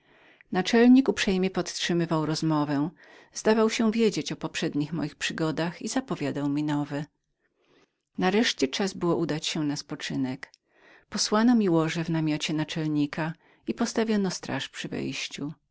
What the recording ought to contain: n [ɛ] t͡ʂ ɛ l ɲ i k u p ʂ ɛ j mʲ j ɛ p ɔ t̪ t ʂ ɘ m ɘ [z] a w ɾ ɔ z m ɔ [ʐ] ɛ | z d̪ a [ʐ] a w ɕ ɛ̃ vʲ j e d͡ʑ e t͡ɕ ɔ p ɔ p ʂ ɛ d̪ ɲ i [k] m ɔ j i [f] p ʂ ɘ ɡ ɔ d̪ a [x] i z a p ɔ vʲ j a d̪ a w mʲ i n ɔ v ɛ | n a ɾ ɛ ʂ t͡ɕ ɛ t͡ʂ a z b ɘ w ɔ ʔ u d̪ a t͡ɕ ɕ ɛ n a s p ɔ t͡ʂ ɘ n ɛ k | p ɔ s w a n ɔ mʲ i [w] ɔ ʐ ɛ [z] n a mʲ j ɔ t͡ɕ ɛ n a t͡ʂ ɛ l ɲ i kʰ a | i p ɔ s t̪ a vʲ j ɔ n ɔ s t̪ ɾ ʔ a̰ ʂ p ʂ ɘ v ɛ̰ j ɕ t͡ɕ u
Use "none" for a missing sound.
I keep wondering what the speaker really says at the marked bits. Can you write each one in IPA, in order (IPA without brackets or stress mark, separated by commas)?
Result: a, v, v, v, x, x, x, w, v